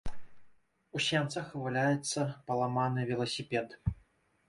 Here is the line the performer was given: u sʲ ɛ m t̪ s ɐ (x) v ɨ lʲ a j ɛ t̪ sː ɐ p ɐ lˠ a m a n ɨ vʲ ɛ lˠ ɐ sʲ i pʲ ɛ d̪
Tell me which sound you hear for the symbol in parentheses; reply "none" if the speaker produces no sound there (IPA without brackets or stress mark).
x